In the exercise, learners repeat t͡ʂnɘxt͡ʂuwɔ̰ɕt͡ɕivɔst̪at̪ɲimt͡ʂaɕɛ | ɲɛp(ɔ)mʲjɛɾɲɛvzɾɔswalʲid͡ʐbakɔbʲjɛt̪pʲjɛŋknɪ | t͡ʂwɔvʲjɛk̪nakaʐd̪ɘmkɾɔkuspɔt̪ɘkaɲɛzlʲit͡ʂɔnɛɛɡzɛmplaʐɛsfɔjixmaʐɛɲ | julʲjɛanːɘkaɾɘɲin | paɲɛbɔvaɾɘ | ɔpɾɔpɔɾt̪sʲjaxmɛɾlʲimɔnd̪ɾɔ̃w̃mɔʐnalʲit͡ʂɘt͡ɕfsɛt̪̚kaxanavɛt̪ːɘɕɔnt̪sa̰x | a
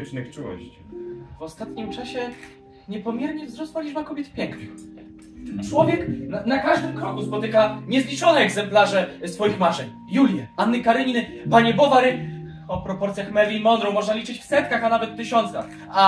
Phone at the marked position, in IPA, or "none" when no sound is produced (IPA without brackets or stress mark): ɔ